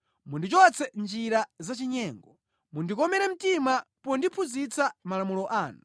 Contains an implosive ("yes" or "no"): no